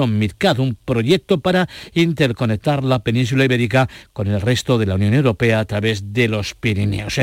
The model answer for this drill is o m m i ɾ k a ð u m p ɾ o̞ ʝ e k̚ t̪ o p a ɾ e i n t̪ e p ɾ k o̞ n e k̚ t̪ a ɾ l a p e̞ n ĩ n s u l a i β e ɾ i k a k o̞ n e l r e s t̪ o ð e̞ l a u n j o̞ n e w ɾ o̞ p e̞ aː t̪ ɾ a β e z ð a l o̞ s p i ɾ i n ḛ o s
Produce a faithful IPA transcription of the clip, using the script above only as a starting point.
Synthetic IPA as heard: o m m i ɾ k a ð u m p ɾ o̞ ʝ e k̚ t̪ o p a ɾ a i n t̪ e ɾ k o̞ n e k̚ t̪ a ɾ l a p e̞ n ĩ n s u l a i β e ɾ i k a k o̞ n e l r e s t̪ o ð e̞ l a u n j o̞ n e w ɾ o̞ p e̞ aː t̪ ɾ a β e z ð e l o̞ s p i ɾ i n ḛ o s